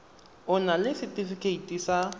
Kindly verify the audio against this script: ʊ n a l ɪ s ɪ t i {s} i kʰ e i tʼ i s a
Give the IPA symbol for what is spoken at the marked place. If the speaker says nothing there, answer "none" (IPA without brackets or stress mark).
f